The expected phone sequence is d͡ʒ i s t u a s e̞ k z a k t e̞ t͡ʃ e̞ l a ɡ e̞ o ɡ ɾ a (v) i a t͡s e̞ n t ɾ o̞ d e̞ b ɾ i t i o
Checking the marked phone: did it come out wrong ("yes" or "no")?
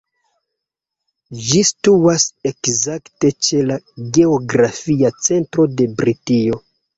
yes